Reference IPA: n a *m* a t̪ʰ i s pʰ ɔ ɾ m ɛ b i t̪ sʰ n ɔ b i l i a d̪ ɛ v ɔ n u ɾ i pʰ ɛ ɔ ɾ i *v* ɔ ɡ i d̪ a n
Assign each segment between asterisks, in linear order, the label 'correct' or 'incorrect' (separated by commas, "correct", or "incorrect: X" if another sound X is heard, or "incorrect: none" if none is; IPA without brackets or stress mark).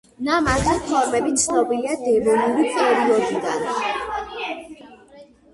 correct, incorrect: none